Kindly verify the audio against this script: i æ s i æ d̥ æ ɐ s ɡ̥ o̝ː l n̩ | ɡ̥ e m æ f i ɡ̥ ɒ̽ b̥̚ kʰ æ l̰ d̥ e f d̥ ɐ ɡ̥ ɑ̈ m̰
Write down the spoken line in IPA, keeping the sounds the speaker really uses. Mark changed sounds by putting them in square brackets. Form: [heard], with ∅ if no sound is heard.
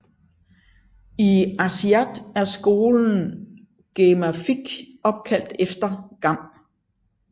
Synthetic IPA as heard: i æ s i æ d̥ æ ɐ s ɡ̥ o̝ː l n̩ | ɡ̥ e m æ f i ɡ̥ ɒ̽ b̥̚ kʰ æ l̰ d̥ e f d̥ ɐ ɡ̥ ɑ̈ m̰